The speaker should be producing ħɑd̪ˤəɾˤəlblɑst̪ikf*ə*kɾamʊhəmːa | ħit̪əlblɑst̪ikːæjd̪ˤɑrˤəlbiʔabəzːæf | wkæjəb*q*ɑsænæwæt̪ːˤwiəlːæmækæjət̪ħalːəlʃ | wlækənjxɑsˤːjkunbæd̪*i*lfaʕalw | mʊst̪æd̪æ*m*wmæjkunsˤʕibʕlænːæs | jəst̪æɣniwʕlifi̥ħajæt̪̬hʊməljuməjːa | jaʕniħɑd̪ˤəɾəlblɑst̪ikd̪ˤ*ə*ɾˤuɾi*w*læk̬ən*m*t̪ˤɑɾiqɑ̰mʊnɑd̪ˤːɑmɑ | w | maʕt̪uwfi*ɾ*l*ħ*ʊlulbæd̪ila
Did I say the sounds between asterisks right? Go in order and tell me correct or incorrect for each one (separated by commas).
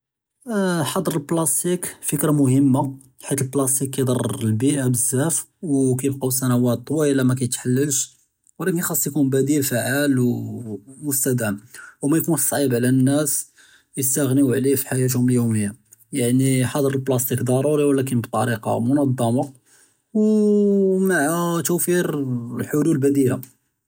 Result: correct, correct, correct, correct, incorrect, correct, incorrect, correct, correct